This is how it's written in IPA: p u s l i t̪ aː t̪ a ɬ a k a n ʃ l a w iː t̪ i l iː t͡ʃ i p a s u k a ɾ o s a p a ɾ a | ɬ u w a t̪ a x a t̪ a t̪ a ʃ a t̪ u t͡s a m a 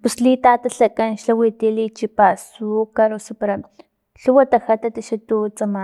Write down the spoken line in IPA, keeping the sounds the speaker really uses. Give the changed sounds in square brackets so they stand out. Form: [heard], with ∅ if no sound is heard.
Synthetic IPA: p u s l i t̪ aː t̪ a ɬ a k a n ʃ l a w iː t̪ i l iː t͡ʃ i p a s u k a ɾ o s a p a ɾ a | ɬ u w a t̪ a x a t̪ a t̪ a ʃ a t̪ u t͡s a m a